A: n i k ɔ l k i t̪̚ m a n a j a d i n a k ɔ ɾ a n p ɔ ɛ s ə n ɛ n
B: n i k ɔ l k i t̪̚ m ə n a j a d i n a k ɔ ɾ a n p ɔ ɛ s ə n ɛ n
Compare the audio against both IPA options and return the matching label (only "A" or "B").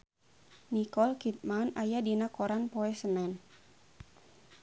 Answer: A